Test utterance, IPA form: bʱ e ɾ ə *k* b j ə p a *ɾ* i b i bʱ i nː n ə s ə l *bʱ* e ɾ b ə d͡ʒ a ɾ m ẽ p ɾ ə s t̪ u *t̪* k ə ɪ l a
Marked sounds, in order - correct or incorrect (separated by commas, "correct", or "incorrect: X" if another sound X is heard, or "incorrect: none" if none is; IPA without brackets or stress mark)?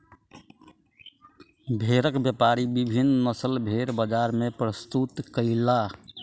correct, correct, correct, correct